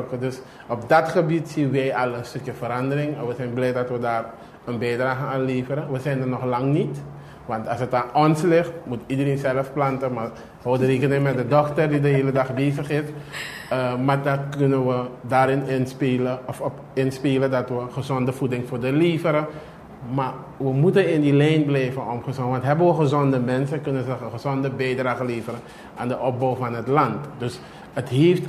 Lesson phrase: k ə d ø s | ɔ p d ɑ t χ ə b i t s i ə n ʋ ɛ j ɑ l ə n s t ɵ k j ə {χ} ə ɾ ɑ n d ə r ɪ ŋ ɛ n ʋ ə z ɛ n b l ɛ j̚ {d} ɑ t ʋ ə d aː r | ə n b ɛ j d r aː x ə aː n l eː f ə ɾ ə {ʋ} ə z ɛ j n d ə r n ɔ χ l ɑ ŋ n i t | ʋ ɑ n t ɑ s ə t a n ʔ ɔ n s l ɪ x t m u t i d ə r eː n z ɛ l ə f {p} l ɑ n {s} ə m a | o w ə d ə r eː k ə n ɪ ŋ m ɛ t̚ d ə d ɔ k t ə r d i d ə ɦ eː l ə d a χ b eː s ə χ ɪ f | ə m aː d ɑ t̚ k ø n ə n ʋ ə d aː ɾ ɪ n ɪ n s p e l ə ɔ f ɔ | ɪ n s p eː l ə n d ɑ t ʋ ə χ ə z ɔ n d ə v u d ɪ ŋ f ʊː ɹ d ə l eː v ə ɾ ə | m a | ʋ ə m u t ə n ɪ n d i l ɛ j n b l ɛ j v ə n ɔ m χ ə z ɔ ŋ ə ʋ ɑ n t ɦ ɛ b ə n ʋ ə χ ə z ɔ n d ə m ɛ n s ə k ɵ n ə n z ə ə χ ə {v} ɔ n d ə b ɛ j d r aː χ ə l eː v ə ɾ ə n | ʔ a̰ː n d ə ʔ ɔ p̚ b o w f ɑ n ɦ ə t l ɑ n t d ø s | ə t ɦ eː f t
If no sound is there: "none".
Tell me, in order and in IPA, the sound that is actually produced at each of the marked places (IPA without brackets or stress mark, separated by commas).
f, d, ʋ, p, t, z